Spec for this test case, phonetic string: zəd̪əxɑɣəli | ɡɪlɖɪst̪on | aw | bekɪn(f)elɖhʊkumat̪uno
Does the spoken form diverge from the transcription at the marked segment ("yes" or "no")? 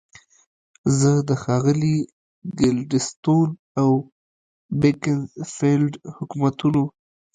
no